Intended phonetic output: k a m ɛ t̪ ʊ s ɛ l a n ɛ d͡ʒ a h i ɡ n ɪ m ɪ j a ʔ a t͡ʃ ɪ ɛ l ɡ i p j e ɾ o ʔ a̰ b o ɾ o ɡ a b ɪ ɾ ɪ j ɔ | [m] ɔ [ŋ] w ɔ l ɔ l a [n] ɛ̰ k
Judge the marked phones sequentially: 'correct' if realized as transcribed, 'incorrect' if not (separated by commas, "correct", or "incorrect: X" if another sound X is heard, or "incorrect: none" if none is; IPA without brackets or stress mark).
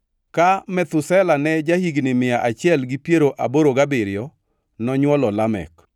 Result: incorrect: n, incorrect: ɲ, incorrect: m